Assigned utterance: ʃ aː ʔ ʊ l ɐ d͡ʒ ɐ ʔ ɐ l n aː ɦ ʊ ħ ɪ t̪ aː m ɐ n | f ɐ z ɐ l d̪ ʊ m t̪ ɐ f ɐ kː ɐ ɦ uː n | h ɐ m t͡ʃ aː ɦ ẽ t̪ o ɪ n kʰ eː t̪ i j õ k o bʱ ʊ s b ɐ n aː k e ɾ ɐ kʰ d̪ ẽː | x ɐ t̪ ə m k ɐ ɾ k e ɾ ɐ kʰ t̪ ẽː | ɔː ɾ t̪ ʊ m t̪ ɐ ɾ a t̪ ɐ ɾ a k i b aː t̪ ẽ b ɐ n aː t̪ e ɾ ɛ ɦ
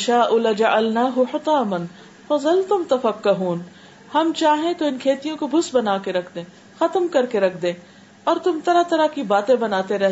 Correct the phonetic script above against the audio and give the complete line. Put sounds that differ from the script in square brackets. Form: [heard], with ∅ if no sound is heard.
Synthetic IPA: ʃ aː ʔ ʊ l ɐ d͡ʒ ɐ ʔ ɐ l n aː ɦ ʊ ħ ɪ t̪ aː m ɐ n | f ɐ z ɐ l [t̪] ʊ m t̪ ɐ f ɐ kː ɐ ɦ uː n | h ɐ m t͡ʃ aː ɦ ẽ t̪ o ɪ n kʰ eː t̪ i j õ k o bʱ ʊ s b ɐ n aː k e ɾ ɐ kʰ d̪ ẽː | x ɐ t̪ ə m k ɐ ɾ k e ɾ ɐ kʰ [d̪] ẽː | ɔː ɾ t̪ ʊ m t̪ ɐ ɾ a t̪ ɐ ɾ a k i b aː t̪ ẽ b ɐ n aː t̪ e ɾ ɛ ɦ